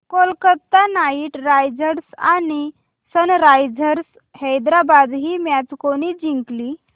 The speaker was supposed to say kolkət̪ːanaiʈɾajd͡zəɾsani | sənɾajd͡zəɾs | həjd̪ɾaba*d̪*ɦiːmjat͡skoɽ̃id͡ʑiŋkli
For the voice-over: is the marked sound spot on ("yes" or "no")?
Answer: yes